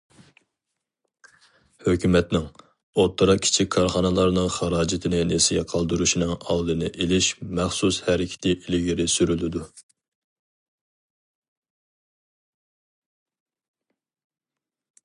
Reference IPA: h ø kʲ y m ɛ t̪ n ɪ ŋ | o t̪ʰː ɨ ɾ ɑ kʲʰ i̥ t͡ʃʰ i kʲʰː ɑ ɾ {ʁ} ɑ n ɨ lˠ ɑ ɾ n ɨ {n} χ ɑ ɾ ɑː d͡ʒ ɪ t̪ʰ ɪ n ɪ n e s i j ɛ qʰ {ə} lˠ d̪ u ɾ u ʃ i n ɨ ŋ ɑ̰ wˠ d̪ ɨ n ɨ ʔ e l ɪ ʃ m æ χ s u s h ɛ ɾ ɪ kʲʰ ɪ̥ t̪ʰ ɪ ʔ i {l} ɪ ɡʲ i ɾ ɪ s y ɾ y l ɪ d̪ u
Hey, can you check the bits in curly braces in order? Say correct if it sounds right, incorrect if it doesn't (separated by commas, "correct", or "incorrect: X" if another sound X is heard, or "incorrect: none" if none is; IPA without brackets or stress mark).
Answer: incorrect: χ, incorrect: ŋ, incorrect: ɑ, correct